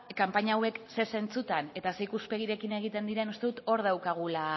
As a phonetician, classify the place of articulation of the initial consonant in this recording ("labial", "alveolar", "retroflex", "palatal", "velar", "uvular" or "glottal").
velar